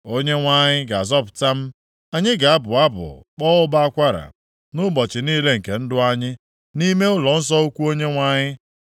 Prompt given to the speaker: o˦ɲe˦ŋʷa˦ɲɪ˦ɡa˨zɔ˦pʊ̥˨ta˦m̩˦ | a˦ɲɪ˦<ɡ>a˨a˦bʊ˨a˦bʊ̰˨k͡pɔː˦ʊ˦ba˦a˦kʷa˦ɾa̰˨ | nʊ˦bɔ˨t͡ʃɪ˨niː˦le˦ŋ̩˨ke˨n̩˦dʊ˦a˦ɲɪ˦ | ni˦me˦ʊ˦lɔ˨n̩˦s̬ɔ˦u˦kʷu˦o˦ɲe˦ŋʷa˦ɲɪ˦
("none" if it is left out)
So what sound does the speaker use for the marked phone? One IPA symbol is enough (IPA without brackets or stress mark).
ɡ